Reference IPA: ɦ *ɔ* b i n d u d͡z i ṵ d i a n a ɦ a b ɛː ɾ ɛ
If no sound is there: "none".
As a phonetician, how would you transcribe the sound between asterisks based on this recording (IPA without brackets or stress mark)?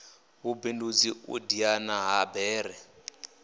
u